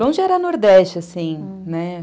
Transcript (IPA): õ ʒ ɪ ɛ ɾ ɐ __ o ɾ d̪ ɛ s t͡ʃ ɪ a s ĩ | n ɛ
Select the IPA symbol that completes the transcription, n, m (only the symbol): n